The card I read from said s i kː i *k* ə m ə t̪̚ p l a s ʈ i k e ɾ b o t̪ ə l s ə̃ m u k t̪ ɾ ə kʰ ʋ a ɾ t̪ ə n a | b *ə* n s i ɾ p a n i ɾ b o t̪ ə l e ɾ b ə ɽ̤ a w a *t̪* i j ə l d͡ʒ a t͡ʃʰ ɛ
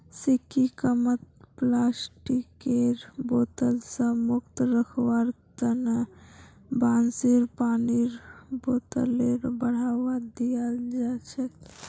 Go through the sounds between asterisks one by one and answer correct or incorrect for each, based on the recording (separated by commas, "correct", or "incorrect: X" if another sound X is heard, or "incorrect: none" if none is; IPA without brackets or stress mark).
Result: correct, incorrect: a, incorrect: d̪